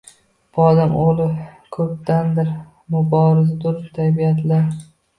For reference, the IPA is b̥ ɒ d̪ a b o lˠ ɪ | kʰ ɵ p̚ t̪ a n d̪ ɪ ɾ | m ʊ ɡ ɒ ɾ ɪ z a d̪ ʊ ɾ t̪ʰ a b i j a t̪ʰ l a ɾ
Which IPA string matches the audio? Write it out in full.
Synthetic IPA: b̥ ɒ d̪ a m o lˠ ɪ | kʰ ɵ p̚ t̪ a n d̪ ɪ ɾ | m ʊ b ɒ ɾ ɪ z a d̪ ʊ ɾ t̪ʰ a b i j a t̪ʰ l a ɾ